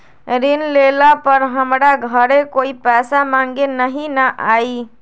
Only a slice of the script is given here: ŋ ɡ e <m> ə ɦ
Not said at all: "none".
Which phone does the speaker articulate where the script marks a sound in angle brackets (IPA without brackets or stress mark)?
n